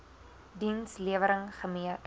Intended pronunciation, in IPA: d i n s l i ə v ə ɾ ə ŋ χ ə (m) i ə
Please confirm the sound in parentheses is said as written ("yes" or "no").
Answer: yes